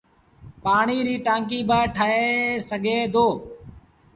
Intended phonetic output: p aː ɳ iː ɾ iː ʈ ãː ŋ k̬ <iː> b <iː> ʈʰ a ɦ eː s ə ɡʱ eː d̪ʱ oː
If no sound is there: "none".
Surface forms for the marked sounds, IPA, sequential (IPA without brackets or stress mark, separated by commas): iː, aː